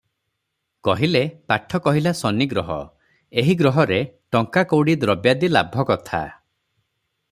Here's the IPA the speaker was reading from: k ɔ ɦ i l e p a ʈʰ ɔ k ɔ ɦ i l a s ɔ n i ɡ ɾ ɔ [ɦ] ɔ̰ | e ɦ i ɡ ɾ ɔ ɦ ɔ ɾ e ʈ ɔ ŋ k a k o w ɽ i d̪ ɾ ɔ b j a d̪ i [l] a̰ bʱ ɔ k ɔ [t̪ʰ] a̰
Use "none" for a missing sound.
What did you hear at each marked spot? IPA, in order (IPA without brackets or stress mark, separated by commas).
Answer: ɦ, l, t̪ʰ